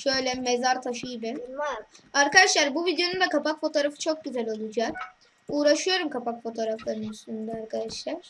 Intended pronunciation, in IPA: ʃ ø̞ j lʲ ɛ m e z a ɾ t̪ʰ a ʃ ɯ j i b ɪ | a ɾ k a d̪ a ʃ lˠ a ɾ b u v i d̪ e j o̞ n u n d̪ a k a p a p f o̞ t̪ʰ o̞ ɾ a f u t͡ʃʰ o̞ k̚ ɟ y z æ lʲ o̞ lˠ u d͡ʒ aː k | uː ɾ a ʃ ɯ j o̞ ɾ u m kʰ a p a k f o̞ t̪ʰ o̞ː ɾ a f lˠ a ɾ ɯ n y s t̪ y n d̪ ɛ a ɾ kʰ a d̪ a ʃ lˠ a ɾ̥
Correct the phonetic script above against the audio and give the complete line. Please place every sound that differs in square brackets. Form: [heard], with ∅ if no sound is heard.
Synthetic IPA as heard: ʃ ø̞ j lʲ ɛ m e z a ɾ t̪ʰ a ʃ ɯ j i b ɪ | a ɾ k a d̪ a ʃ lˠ a ɾ b u v i d̪ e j o̞ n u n d̪ a k a p a [k] f o̞ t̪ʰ o̞ ɾ a f [ɯ] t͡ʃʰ o̞ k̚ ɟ y z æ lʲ o̞ lˠ u d͡ʒ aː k | uː ɾ a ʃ ɯ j o̞ ɾ u m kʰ a p a k f o̞ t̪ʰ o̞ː ɾ a f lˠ a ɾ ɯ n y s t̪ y n d̪ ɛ a ɾ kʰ a d̪ a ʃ lˠ a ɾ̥

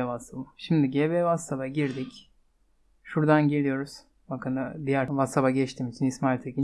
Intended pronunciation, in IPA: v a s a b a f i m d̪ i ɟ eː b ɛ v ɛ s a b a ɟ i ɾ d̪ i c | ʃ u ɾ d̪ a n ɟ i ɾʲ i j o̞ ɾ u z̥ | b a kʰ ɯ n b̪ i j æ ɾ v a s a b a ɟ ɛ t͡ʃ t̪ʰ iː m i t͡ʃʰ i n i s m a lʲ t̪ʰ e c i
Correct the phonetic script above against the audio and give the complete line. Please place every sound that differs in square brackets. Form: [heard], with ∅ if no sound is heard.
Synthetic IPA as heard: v a s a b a [ʃ] i m d̪ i ɟ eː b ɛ v [a] s a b a ɟ i ɾ d̪ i c | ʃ u ɾ d̪ a n ɟ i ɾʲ i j o̞ ɾ u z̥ | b a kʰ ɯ n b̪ i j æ ɾ v a s a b a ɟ ɛ t͡ʃ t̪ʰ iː m i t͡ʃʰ i n i s m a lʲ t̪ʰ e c i

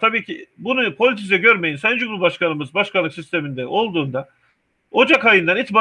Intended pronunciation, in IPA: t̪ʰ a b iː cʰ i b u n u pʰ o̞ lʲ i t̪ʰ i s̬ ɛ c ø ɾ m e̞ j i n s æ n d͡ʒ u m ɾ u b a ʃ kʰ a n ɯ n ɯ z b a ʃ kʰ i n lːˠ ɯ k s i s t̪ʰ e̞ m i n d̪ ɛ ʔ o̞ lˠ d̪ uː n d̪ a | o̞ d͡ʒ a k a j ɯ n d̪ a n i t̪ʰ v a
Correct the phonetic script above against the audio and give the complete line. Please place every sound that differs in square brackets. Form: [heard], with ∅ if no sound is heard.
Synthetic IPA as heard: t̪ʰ a b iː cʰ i b u n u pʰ o̞ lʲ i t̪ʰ i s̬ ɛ [ɟ] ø ɾ m e̞ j i n s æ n d͡ʒ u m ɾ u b a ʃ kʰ a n ɯ [m] ɯ z b a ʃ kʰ [a] n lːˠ ɯ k s i s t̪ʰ e̞ m i n d̪ ɛ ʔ o̞ lˠ d̪ uː n d̪ a | o̞ d͡ʒ a k a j ɯ n d̪ a n i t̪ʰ [b] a

